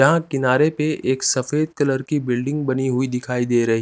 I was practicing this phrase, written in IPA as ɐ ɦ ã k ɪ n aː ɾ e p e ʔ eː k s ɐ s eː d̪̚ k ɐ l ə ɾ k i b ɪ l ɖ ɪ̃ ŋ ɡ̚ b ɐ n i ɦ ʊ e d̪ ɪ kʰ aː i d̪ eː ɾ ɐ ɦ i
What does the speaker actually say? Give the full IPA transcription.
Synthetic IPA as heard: ɐ ɦ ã k ɪ n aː ɾ e p e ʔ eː k s ɐ f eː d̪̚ k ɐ l ə ɾ k i b ɪ l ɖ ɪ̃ ŋ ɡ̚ b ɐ n i ɦ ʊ i d̪ ɪ kʰ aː i d̪ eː ɾ ɐ ɦ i